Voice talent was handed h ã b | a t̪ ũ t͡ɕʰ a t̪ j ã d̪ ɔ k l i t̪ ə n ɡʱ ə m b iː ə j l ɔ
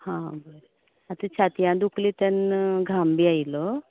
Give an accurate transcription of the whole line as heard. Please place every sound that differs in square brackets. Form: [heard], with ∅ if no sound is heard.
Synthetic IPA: h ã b | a t̪ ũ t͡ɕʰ a t̪ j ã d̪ [u] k l i t̪ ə n ɡʱ [a] m b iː [a] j l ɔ